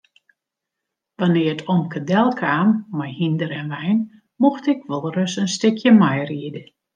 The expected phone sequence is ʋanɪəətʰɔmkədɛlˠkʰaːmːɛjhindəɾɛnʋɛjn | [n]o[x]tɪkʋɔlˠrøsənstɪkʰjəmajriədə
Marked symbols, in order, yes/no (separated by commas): no, yes